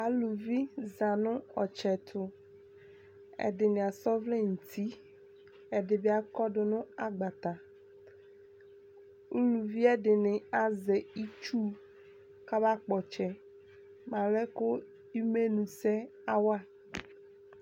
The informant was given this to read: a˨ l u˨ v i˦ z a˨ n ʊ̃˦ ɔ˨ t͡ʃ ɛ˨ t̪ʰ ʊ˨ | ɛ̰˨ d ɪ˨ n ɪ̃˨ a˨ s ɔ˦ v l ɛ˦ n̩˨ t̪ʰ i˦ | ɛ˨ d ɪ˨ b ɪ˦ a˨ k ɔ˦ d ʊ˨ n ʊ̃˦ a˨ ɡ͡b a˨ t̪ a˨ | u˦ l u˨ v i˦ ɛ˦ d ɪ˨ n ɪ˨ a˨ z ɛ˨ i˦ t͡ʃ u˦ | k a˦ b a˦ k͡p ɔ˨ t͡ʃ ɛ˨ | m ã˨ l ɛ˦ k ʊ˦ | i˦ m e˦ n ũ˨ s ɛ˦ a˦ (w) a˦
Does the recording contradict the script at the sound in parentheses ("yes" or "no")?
no